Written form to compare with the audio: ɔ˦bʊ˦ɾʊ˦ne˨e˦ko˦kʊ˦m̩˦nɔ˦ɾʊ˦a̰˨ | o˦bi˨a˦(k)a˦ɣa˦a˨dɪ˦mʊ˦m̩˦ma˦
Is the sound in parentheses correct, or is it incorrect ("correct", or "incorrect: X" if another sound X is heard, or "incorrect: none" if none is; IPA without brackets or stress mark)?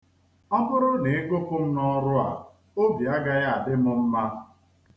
incorrect: ɡ